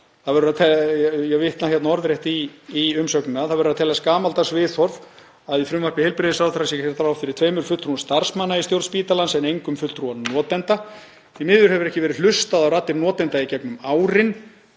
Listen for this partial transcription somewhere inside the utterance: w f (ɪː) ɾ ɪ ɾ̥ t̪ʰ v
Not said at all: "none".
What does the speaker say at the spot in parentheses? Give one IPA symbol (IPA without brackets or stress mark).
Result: ɪ